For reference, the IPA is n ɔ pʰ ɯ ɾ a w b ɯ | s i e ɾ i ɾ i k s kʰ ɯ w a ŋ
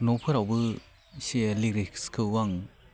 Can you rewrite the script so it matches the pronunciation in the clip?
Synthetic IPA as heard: n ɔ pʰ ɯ ɾ a w b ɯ | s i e l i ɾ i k s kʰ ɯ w a ŋ